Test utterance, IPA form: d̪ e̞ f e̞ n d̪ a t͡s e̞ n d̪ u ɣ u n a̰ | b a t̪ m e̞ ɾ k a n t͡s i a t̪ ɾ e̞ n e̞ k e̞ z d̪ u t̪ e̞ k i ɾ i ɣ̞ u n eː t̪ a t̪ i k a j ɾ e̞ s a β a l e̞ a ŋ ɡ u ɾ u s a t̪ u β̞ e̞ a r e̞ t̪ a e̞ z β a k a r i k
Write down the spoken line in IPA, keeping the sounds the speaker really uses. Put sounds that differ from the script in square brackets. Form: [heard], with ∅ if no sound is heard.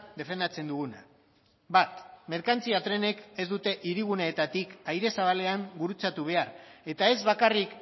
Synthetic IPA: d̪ e̞ f e̞ n d̪ a t͡s e̞ n d̪ u ɣ u n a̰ | b a t̪ m e̞ ɾ k a n t͡s i a t̪ ɾ e̞ n e̞ k e̞ z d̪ u t̪ e̞ [ʔ] i ɾ i ɣ̞ u n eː t̪ a t̪ i k a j ɾ e̞ s a β a l e̞ a ŋ ɡ u ɾ u [t͡s] a t̪ u β̞ e̞ a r e̞ t̪ a e̞ z β a k a r i k